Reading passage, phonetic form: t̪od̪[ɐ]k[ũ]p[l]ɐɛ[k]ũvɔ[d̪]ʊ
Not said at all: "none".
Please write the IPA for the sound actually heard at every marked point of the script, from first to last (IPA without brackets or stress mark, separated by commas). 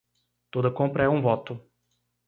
ɐ, õ, ɾ, none, t̪